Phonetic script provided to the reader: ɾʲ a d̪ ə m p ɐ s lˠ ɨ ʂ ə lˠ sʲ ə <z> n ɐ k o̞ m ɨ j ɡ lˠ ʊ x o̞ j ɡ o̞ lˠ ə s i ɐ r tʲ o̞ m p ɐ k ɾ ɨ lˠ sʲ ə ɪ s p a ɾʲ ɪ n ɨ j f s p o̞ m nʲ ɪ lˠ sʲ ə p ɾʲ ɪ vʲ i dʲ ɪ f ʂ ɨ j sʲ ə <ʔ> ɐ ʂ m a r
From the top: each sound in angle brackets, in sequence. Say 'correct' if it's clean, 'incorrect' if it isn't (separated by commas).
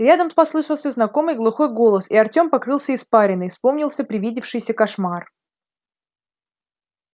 correct, incorrect